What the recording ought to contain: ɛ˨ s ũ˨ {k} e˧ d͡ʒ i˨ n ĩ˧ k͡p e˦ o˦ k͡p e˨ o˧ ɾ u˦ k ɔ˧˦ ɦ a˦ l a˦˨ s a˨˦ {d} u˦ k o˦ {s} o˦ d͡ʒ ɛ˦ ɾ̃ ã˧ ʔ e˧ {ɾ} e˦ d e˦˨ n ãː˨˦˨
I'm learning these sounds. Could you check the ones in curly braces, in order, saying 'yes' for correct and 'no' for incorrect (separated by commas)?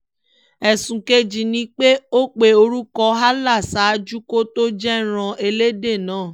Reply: yes, no, no, no